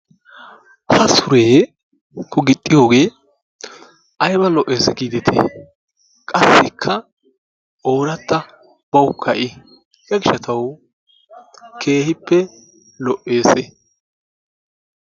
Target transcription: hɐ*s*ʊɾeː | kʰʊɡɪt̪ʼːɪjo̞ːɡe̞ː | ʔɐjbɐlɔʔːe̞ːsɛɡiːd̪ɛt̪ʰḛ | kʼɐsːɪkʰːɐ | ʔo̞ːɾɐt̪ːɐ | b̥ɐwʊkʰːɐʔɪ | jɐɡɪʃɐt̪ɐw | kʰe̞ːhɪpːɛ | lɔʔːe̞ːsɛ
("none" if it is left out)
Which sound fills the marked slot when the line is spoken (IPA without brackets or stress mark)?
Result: s